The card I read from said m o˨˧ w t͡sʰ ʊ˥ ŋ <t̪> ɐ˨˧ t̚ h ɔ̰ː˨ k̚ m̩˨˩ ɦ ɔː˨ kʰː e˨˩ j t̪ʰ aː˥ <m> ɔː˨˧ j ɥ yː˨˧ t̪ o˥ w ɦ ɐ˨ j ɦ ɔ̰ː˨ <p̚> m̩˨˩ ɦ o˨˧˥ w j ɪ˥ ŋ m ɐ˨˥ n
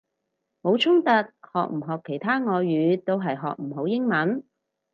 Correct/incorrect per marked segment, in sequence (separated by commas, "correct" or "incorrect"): correct, incorrect, incorrect